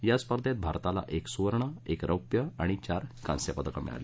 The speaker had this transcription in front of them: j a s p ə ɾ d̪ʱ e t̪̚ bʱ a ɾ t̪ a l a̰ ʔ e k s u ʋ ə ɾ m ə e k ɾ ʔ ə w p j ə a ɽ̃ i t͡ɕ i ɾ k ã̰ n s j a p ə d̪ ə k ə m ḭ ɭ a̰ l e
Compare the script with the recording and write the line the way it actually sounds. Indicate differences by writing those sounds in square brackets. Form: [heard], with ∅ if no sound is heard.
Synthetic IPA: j a s p ə ɾ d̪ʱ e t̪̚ bʱ a ɾ t̪ a l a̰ ʔ e k s u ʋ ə ɾ [ɳ] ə e k ɾ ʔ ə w p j ə a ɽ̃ i t͡ɕ [a] ɾ k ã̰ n s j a p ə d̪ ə k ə m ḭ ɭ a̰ l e